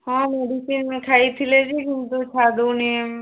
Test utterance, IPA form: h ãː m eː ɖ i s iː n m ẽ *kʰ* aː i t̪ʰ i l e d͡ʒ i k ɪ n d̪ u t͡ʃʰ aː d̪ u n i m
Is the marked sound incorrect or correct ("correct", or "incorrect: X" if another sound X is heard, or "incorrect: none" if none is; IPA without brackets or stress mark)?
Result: correct